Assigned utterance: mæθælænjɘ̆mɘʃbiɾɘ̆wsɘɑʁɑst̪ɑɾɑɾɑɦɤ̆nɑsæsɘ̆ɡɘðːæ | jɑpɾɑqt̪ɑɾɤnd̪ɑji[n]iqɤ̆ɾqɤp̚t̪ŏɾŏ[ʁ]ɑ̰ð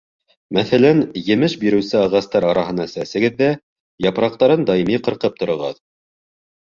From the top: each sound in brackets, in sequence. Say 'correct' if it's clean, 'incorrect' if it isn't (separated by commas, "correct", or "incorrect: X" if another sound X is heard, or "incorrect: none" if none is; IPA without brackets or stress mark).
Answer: incorrect: m, correct